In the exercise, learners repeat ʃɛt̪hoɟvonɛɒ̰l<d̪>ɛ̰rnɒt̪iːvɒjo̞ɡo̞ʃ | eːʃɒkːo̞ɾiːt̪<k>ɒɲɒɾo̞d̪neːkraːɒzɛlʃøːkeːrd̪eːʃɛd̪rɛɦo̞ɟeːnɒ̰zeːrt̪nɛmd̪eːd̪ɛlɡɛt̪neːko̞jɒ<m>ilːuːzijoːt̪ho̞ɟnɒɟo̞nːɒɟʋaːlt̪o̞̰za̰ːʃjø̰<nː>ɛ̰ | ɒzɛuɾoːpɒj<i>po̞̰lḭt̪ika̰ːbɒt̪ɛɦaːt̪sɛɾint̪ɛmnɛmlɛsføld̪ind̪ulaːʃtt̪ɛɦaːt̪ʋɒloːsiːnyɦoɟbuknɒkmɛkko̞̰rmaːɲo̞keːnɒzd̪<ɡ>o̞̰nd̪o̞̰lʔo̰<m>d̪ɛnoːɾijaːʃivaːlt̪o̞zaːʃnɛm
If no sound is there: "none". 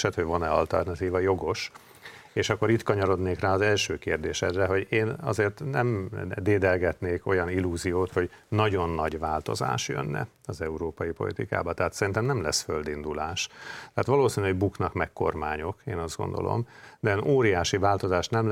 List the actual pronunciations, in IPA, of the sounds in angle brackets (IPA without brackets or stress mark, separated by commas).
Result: t̪, k, n, nː, i, ɡ, m